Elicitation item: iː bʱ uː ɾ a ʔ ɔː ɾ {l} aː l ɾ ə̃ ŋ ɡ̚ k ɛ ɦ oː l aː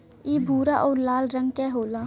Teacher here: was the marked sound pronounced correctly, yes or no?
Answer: yes